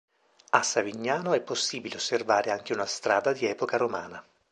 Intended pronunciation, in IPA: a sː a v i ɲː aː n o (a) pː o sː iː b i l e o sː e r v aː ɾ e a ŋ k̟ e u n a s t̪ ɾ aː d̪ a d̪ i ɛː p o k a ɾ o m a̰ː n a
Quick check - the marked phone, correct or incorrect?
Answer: incorrect